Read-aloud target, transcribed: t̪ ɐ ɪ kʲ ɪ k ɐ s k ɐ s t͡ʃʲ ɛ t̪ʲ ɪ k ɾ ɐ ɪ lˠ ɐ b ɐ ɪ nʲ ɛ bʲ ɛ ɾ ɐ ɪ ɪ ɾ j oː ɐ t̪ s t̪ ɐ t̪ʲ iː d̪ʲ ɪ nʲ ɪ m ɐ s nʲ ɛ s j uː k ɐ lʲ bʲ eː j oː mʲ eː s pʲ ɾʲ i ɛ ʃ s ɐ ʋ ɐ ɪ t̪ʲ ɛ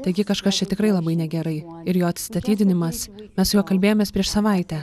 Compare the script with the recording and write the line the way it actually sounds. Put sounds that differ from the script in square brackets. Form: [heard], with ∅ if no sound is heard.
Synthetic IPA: t̪ ɐ ɪ [ɡʲ] ɪ k ɐ [ʃ] k ɐ s t͡ʃʲ ɛ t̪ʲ ɪ k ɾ ɐ ɪ lˠ ɐ b ɐ ɪ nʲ ɛ [ɡʲ] ɛ ɾ ɐ ɪ ɪ ɾ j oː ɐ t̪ s t̪ ɐ t̪ʲ iː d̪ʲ ɪ nʲ ɪ m ɐ s [mʲ] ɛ s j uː k ɐ lʲ bʲ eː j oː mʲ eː s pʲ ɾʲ i ɛ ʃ s ɐ ʋ ɐ ɪ t̪ʲ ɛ